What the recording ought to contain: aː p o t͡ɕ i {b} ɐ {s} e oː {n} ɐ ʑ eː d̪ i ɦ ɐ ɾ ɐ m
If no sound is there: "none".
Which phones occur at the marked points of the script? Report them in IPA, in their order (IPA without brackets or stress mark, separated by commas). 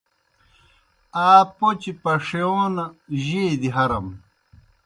p, ʂ, n